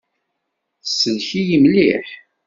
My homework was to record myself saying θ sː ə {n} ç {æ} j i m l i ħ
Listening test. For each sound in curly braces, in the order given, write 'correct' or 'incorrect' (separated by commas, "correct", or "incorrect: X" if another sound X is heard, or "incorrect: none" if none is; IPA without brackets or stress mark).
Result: correct, incorrect: i